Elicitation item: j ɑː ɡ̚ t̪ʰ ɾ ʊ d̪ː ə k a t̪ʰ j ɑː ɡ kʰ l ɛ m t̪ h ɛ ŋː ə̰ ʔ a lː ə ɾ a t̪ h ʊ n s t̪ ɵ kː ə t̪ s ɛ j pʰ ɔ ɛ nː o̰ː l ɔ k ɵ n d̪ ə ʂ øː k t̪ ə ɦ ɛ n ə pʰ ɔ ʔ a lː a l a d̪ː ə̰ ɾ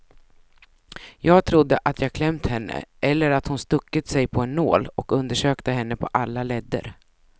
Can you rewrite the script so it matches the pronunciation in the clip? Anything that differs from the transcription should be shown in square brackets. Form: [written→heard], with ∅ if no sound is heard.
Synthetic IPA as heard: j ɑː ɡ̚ t̪ʰ ɾ ʊ d̪ː ə [k→ʔ] a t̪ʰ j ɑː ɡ kʰ l ɛ m t̪ h ɛ [ŋː→nː] ə̰ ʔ [a→ɛ] lː ə ɾ a t̪ h ʊ n s t̪ ɵ kː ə t̪ s ɛ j pʰ ɔ ɛ nː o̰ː l ɔ k ɵ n d̪ ə ʂ øː k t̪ ə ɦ ɛ [n→nː] ə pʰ ɔ ʔ a lː a l [a→ɛ] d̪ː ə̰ ɾ